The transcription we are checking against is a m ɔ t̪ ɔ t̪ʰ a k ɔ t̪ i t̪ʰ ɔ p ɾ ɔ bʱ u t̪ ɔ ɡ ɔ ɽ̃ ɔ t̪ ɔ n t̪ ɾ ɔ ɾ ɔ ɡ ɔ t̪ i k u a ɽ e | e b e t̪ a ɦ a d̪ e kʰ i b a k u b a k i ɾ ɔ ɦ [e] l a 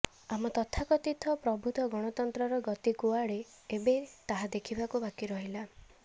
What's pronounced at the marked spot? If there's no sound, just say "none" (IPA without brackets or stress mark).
i